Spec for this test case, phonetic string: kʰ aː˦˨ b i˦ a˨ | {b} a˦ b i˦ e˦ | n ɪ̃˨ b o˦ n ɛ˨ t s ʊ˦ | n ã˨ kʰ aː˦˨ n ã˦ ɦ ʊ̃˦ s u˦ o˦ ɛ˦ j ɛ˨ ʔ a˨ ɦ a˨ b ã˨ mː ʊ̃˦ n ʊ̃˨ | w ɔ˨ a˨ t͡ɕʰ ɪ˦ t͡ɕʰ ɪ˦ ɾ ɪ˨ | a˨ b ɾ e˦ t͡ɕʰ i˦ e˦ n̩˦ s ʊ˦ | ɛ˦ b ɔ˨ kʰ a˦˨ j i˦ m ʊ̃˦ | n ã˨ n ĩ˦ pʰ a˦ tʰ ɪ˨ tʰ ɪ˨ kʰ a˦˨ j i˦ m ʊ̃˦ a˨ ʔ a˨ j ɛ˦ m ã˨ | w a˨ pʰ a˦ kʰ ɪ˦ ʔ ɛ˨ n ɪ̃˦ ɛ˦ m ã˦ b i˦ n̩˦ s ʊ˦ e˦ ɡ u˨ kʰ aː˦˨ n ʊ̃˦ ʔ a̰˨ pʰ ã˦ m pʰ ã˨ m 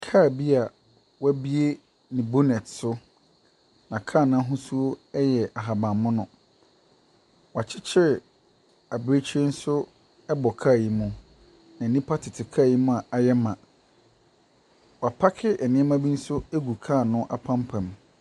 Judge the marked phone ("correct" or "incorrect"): incorrect